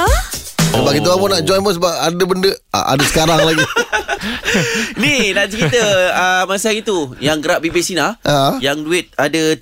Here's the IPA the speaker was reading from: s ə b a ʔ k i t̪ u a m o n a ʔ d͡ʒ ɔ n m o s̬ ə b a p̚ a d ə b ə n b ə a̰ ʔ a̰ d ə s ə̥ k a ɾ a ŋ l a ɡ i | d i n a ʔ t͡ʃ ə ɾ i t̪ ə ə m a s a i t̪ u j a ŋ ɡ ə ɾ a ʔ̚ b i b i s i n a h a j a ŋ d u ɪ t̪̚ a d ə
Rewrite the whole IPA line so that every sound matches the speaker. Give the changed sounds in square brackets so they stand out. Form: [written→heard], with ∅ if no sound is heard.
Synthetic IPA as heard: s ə b a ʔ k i t̪ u a m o n a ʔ d͡ʒ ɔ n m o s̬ ə b a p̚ a d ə b ə n [b→d] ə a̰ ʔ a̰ d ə s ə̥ k a ɾ a ŋ l a ɡ i | [d→n] i n a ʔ t͡ʃ ə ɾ i t̪ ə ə m a s a i t̪ u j a ŋ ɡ ə ɾ a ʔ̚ b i b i s i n a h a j a ŋ d u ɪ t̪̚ a d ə